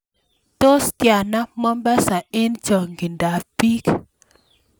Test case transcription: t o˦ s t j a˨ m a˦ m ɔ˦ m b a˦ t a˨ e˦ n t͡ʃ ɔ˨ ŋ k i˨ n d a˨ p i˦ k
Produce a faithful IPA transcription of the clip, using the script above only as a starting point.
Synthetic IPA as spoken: t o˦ s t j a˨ n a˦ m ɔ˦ m b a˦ s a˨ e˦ n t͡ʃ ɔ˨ ŋ ɡ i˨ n d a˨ p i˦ k

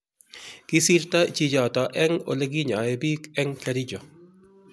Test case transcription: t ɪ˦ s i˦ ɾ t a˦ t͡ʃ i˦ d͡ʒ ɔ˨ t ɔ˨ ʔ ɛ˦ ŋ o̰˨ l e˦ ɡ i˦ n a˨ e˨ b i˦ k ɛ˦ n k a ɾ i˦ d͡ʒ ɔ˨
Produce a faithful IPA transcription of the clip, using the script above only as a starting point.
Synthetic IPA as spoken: k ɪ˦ s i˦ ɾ t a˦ t͡ʃ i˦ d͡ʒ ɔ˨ t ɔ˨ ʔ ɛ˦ ŋ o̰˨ l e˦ ɡ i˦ ɲ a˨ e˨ b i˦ k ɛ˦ ŋ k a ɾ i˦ d͡ʒ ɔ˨

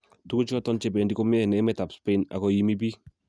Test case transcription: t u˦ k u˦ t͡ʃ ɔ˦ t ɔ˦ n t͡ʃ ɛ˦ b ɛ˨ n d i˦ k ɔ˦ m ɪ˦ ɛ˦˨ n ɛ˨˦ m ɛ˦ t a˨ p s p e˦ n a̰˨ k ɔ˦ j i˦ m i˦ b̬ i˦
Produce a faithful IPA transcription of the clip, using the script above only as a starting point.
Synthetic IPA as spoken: t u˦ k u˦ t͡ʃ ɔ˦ t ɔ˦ n t͡ʃ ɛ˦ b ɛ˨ n d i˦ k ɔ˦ m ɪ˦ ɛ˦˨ n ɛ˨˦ m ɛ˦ t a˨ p s p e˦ n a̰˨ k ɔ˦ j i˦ m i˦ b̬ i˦

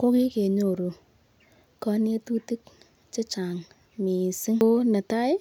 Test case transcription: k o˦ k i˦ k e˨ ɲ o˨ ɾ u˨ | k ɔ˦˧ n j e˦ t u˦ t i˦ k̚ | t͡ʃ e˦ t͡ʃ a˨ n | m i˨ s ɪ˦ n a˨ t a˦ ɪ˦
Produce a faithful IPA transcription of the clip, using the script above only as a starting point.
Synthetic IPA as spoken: k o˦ k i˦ k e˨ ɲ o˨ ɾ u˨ | k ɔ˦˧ n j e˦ t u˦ t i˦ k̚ | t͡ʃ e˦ t͡ʃ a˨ ŋ | m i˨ s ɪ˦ n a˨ t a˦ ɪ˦

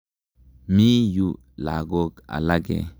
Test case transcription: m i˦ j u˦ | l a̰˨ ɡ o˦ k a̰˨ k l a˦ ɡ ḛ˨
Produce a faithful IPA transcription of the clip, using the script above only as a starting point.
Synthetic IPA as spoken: m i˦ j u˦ | l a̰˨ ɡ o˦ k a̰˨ l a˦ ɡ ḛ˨

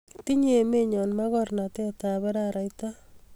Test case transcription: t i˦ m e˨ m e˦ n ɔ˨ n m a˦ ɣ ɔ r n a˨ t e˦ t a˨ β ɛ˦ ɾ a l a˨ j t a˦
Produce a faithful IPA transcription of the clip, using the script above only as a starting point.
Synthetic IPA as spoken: t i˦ ɲ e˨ m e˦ ɲ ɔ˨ n m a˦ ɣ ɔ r n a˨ t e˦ t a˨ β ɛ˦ ɾ a ɾ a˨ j t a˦

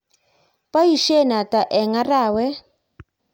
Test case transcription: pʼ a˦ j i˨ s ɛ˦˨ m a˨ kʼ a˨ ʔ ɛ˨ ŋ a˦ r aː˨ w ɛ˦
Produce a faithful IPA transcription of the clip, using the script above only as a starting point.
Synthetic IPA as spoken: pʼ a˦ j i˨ ʃ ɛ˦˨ n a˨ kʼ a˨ ʔ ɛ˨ ŋ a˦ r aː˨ w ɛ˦

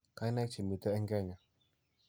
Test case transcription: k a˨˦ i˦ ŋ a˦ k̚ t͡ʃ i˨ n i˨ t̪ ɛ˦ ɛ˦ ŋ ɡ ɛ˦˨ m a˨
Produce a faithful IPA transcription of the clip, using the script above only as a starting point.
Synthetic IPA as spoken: k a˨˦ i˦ n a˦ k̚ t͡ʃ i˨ m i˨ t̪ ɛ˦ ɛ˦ ŋ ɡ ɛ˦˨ ɲ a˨

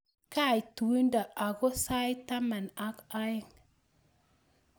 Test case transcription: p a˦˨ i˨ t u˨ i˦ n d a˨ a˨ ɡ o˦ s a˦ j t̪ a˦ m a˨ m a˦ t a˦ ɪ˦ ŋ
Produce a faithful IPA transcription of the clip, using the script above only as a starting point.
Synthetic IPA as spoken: k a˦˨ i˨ t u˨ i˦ n d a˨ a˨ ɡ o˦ s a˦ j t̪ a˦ m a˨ n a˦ k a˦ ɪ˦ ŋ

